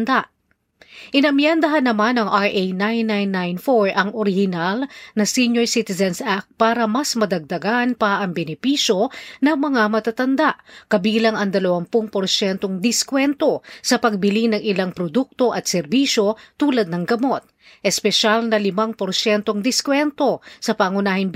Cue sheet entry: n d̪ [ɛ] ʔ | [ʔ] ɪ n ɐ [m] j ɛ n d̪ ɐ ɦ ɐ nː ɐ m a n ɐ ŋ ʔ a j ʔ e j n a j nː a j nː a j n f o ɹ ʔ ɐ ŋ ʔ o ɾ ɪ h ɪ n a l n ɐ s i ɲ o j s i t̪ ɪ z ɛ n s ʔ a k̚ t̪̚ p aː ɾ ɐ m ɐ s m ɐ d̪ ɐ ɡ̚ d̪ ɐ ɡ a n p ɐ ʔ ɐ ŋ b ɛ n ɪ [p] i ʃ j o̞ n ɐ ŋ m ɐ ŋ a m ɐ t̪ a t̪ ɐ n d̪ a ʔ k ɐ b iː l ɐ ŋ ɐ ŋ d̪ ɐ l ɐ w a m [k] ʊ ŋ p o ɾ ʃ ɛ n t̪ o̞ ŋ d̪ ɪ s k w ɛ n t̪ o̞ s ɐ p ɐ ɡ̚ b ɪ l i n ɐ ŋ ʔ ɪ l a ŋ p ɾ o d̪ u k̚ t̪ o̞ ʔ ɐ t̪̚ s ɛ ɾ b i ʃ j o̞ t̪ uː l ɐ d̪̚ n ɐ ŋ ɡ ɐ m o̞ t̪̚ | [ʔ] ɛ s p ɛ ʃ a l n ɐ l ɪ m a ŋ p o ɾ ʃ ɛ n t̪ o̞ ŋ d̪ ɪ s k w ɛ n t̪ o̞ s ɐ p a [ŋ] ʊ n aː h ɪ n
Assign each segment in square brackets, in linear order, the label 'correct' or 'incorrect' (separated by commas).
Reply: incorrect, correct, correct, correct, incorrect, correct, correct